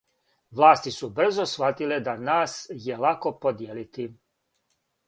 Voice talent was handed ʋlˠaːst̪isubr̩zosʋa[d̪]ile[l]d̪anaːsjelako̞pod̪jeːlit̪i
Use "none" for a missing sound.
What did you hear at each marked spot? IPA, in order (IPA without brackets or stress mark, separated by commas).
t̪, none